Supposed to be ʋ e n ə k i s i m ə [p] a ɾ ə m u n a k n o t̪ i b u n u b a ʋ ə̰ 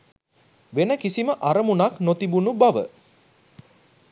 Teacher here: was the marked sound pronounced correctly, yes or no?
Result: no